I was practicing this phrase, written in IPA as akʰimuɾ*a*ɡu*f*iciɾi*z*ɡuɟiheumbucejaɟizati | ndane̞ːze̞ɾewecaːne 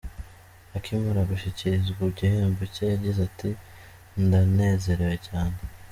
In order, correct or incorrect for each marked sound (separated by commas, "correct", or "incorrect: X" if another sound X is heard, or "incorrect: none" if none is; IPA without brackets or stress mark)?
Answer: correct, incorrect: ʃ, correct